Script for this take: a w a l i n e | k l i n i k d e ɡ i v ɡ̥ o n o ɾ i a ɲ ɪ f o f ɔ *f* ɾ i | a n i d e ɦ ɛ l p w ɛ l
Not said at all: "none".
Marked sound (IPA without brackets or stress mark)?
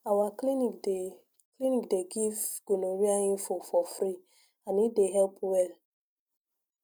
f